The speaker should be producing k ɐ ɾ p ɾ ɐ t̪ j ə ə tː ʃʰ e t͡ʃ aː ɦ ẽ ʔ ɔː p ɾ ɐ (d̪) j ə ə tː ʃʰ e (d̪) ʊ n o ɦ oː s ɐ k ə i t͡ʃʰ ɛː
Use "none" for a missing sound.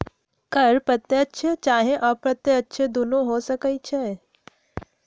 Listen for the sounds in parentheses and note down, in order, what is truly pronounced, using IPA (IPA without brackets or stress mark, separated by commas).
t̪, d̪